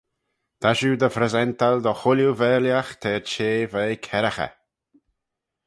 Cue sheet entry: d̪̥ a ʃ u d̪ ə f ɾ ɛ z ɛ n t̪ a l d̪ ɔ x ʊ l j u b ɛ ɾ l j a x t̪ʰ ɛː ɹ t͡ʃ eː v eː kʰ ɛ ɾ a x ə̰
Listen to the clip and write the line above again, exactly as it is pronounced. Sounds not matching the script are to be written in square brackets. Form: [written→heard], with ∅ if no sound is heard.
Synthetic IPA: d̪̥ a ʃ u d̪ ə f ɾ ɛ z ɛ n t̪ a l d̪ ɔ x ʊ l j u [b→v] ɛ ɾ l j a x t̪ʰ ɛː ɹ t͡ʃ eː v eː kʰ ɛ ɾ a x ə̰